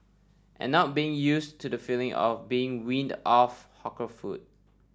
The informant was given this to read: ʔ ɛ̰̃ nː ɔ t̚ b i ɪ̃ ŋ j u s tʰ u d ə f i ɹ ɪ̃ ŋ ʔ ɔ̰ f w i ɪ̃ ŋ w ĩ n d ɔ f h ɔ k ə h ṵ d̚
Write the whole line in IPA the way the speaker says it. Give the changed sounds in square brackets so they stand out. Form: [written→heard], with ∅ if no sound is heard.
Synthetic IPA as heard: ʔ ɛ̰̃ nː ɔ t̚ b i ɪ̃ ŋ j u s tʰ u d ə f i [ɹ→l] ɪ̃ ŋ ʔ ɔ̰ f [w→b] i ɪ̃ ŋ w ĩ n d ɔ f h ɔ k ə [h→f] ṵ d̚